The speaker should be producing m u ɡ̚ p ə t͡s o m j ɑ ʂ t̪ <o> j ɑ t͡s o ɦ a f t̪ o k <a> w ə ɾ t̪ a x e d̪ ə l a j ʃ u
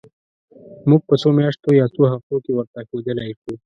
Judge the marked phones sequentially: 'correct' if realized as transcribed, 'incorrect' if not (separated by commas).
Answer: correct, incorrect